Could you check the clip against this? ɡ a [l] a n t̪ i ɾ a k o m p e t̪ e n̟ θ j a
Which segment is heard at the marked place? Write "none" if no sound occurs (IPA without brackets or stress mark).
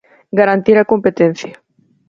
ɾ